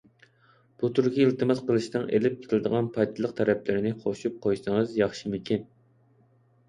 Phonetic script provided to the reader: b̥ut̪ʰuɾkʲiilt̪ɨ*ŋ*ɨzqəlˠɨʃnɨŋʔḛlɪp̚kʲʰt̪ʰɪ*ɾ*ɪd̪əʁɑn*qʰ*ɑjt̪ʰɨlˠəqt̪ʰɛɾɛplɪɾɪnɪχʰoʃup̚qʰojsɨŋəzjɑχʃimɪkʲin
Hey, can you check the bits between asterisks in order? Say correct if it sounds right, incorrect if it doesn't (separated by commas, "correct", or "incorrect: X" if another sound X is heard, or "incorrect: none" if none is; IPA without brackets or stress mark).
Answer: incorrect: m, incorrect: l, incorrect: pʰ